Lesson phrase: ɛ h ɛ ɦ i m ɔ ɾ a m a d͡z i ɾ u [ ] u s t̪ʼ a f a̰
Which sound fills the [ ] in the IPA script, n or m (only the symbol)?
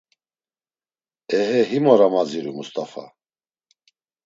m